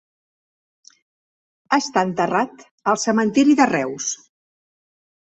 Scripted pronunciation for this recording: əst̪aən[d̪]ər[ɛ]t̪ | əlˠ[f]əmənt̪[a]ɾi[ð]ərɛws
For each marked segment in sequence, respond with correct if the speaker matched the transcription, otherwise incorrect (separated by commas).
incorrect, incorrect, incorrect, incorrect, correct